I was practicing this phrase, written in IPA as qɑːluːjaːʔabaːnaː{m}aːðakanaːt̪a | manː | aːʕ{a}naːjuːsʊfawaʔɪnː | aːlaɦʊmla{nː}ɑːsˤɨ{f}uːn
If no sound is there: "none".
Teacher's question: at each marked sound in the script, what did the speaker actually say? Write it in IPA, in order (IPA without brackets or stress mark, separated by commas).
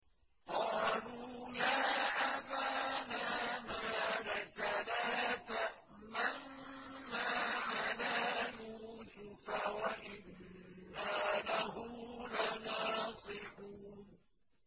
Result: m, a, n, ħ